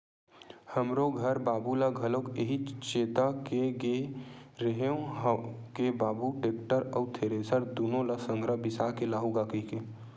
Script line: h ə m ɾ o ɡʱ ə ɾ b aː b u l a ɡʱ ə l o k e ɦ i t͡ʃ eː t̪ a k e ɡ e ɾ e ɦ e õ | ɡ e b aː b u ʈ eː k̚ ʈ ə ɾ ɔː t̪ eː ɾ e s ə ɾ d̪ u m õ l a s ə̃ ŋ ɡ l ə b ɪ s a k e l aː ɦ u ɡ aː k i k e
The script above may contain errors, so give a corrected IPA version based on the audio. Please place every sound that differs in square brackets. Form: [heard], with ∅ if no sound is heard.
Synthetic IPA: h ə m ɾ o ɡʱ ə ɾ b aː b u l a ɡʱ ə l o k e ɦ i t͡ʃ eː t̪ a k e ɡ e ɾ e ɦ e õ | [k] e b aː b u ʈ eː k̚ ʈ ə ɾ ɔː [t̪ʰ] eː ɾ e s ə ɾ d̪ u [n] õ l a s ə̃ ŋ ɡ [ɾ] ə b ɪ s a k e l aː ɦ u ɡ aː k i k e